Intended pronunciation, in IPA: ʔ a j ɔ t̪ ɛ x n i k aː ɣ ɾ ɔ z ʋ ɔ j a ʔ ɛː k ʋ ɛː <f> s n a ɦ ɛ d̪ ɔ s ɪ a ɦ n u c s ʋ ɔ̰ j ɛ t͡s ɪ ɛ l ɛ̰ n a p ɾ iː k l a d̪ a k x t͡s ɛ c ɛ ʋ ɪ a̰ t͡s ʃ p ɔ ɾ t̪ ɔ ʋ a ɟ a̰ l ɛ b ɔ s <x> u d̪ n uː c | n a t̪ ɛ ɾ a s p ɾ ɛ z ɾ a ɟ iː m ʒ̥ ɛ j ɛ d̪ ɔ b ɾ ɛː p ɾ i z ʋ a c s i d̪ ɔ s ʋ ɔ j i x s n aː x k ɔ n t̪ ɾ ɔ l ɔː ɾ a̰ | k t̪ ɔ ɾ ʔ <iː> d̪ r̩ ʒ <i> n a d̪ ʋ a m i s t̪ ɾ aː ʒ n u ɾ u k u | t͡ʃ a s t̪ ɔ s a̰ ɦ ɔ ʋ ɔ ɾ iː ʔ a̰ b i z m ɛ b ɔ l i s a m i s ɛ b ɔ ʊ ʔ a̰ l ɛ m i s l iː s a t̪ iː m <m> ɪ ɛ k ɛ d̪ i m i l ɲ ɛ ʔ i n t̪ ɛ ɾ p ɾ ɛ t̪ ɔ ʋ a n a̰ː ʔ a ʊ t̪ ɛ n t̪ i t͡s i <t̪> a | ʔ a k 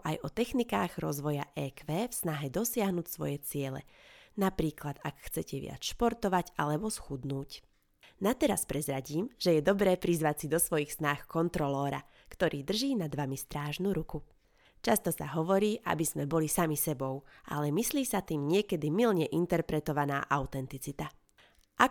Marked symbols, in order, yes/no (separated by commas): yes, yes, yes, no, no, yes